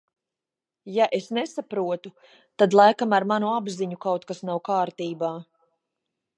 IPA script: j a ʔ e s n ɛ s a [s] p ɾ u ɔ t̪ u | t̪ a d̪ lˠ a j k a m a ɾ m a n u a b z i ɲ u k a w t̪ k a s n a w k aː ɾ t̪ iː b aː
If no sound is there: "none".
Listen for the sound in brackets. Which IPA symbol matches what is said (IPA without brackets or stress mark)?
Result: none